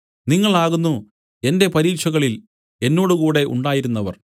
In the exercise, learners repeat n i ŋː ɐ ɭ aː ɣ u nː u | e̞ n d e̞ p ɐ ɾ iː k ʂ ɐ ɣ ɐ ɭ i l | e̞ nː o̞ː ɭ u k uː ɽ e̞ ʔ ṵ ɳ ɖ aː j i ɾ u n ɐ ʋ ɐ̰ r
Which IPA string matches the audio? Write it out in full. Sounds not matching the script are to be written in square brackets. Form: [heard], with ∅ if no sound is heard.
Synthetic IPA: n i ŋː ɐ ɭ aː ɣ u nː u | e̞ n d e̞ p ɐ ɾ iː k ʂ ɐ ɣ ɐ ɭ i l | e̞ nː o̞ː [ɽ] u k uː ɽ e̞ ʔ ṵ ɳ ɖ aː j i ɾ u [nː] ɐ ʋ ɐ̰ r